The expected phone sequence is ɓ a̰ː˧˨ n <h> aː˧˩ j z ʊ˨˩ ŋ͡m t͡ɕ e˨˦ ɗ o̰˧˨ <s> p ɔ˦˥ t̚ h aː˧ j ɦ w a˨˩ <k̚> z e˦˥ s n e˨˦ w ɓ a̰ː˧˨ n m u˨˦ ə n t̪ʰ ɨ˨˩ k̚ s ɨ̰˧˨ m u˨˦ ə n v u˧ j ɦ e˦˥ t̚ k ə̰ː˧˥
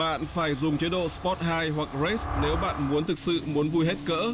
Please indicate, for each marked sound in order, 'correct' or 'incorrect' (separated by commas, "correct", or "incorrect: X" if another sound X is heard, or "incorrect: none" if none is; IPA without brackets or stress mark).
incorrect: f, correct, correct